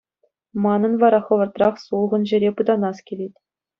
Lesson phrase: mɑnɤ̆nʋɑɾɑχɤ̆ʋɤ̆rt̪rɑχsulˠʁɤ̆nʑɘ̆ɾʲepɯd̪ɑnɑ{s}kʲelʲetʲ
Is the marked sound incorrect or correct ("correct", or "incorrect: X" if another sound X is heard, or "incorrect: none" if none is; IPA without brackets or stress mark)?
correct